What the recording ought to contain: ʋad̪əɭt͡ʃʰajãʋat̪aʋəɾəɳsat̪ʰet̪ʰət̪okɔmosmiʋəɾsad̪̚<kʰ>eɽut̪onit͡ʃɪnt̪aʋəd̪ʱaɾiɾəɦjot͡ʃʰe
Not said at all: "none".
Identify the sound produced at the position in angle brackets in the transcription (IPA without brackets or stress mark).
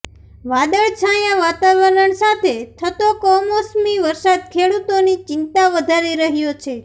kʰ